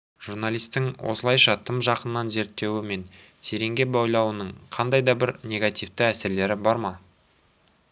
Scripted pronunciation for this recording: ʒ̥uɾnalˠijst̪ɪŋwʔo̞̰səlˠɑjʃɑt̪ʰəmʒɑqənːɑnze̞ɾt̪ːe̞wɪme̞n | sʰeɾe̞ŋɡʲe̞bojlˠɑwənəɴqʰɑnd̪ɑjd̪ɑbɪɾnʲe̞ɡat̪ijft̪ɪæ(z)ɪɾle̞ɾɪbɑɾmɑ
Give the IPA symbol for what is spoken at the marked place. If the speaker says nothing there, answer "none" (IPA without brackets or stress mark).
s